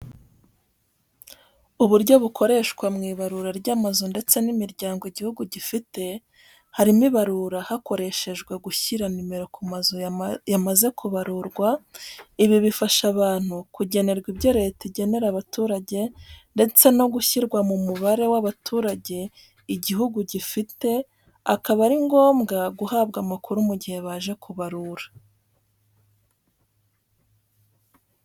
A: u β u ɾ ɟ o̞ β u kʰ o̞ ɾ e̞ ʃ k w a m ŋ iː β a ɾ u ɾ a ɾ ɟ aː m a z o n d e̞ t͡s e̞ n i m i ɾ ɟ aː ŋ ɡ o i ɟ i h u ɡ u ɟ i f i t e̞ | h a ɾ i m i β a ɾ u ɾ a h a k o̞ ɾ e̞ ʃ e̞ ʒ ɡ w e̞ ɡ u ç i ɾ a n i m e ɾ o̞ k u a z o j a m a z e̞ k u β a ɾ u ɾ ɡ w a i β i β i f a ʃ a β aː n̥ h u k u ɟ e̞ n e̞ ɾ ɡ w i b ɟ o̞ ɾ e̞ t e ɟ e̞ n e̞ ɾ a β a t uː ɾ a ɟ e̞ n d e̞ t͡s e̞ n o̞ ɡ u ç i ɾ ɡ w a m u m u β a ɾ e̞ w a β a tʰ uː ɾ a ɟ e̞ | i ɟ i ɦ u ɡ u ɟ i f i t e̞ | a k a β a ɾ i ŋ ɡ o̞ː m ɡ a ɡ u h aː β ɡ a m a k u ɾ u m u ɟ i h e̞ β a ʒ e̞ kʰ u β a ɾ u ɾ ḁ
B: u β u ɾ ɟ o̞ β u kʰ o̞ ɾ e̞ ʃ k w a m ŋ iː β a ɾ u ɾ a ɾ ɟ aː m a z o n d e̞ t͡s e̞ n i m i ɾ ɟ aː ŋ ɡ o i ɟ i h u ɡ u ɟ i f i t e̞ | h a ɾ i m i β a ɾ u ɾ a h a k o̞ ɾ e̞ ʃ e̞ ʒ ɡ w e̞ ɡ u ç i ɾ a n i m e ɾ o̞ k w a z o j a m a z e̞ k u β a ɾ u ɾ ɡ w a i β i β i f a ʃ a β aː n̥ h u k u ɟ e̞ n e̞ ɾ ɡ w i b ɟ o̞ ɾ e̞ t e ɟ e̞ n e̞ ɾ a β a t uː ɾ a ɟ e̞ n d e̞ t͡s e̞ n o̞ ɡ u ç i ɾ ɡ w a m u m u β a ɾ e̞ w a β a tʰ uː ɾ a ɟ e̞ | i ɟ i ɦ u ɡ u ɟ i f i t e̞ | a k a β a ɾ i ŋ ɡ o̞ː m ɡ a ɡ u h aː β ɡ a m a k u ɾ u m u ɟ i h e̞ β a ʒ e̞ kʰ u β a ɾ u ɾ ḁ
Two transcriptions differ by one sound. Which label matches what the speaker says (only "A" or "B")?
A